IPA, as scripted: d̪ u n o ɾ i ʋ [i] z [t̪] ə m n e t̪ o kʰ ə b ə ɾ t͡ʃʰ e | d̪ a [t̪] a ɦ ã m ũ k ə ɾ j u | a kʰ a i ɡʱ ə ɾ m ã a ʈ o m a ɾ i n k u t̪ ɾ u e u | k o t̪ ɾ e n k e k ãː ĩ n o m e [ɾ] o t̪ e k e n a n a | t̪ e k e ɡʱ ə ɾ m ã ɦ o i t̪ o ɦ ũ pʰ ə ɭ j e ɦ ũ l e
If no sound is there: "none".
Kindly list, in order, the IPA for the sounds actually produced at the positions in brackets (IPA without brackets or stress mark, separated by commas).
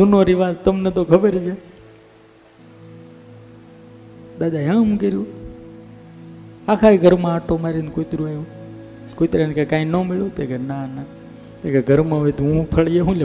a, t̪, d̪, ɭ